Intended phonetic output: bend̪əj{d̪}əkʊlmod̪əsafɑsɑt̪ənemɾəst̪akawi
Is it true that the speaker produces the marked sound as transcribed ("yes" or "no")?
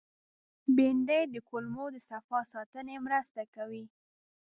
yes